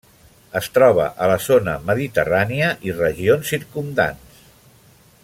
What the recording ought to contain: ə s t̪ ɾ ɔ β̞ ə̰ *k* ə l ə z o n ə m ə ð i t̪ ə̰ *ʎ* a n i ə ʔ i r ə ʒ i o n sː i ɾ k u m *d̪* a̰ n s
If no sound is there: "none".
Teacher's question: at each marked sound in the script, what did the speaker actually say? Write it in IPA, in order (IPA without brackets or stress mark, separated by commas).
ʔ, r, d̪